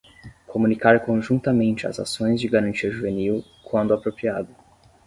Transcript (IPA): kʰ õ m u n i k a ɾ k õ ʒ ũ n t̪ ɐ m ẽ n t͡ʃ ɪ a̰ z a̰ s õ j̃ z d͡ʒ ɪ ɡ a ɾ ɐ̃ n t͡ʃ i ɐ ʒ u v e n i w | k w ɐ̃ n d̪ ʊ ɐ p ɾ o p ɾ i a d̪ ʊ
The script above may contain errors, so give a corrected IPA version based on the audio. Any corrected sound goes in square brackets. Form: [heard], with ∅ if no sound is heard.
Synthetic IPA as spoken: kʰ [o] m u n i k a ɾ k õ ʒ ũ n t̪ ɐ m ẽ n t͡ʃ ɪ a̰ z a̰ s õ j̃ z d͡ʒ ɪ ɡ a ɾ ɐ̃ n t͡ʃ i ɐ ʒ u v e n i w | k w ɐ̃ n d̪ ʊ [a] p ɾ o p ɾ i a d̪ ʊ